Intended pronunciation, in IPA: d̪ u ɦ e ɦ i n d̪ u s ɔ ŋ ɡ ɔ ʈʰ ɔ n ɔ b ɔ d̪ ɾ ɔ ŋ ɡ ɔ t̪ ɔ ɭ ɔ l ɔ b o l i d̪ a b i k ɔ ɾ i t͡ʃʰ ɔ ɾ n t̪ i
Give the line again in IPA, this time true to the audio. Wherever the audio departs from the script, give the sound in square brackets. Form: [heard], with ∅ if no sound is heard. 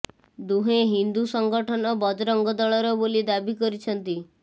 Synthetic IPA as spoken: d̪ u ɦ e ɦ i n d̪ u s ɔ ŋ ɡ ɔ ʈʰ ɔ n ɔ b ɔ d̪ ɾ ɔ ŋ ɡ ɔ [d̪] ɔ ɭ ɔ [ɾ] ɔ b o l i d̪ a b i k ɔ ɾ i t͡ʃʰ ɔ [∅] n t̪ i